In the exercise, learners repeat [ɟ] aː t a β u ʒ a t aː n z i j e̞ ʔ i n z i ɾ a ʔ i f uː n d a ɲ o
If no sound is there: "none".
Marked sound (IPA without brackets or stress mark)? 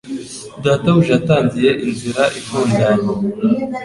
d